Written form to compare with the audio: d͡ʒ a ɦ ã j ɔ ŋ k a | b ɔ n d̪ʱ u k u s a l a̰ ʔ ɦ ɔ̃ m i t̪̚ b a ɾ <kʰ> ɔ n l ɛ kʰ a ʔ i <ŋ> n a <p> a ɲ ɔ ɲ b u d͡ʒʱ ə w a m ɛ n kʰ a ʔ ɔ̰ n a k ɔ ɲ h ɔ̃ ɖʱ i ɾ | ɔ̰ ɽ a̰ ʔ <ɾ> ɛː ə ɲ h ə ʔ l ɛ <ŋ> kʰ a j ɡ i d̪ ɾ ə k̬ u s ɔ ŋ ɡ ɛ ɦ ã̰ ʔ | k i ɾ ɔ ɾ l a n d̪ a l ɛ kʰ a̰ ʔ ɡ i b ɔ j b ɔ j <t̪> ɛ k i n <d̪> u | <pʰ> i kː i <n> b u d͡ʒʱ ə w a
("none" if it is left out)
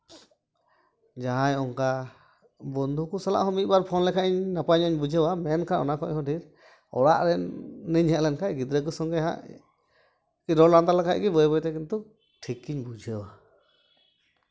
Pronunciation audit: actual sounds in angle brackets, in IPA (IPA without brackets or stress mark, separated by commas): pʰ, ɲ, p, ɾ, n, t̪, t̪, ʈʰ, ɲ